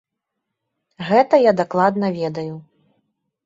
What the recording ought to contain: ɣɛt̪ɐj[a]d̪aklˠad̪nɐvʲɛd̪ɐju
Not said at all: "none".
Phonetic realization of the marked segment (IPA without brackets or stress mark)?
a